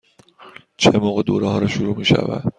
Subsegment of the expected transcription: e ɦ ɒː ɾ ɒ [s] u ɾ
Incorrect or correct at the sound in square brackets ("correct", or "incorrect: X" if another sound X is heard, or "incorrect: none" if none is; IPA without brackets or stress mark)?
incorrect: ʃ